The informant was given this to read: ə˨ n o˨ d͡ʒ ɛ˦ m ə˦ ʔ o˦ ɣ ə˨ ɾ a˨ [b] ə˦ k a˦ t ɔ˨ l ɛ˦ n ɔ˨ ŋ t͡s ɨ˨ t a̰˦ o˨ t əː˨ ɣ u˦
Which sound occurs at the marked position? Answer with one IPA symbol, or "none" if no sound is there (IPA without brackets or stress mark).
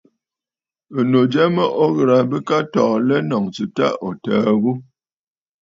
b